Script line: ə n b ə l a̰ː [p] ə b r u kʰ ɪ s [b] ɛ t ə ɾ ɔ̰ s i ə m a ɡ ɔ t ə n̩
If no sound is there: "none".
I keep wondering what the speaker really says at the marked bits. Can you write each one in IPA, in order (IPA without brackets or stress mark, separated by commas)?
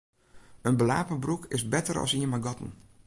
p, b